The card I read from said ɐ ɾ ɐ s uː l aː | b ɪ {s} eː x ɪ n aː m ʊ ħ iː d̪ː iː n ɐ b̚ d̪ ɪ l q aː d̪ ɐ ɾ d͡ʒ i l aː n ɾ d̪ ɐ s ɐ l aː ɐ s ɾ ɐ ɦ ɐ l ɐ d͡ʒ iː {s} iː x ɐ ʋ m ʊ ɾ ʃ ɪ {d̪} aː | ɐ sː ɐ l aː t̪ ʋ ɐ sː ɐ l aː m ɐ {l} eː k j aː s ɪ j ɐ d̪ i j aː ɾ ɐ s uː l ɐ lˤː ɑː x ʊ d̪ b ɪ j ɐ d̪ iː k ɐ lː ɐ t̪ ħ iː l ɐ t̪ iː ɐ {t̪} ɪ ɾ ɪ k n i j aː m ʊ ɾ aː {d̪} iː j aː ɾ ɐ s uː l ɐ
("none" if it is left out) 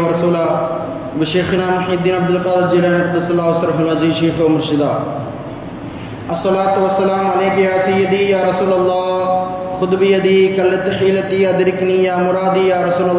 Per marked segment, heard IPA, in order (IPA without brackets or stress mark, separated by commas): ʃ, ʃ, d̪, l, d̪, d̪